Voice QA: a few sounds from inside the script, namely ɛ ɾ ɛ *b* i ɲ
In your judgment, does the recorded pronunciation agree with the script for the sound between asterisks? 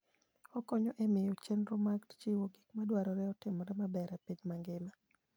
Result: no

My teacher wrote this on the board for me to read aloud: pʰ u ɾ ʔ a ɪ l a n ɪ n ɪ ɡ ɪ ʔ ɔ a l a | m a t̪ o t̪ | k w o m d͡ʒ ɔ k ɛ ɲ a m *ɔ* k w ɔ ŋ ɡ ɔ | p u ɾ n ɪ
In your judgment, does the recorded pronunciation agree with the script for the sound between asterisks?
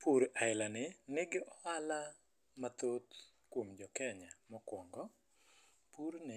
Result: yes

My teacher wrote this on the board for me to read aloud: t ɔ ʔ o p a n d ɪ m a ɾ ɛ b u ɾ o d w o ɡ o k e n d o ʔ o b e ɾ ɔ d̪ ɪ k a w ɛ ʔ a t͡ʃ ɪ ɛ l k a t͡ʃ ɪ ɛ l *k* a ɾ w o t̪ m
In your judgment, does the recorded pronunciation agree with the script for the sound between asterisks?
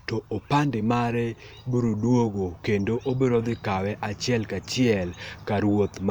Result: yes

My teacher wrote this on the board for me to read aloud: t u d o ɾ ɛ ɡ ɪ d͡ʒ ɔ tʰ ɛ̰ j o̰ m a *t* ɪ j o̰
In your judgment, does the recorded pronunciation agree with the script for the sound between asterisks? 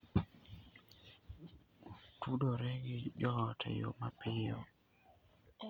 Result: no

